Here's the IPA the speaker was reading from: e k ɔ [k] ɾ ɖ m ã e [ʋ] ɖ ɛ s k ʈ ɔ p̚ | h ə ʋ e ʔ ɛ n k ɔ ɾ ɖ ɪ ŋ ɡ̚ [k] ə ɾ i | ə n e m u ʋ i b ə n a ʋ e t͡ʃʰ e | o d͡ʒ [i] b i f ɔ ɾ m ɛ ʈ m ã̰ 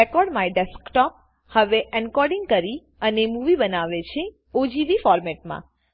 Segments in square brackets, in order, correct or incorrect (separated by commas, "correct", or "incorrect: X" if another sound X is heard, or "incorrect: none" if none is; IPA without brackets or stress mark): incorrect: none, incorrect: none, correct, correct